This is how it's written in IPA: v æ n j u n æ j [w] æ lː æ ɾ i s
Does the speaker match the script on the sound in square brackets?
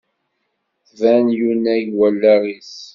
yes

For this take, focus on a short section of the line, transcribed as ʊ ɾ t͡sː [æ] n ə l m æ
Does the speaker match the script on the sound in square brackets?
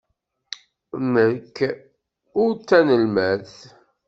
yes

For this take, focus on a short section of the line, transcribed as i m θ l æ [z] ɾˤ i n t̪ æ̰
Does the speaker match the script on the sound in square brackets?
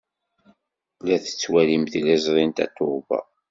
yes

